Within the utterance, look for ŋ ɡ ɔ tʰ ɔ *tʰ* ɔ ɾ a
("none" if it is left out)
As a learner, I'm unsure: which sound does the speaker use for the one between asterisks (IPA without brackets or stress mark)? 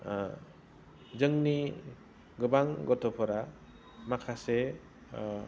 pʰ